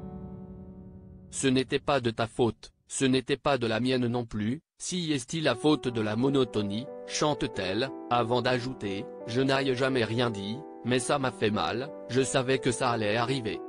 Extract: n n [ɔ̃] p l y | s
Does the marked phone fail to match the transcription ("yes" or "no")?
no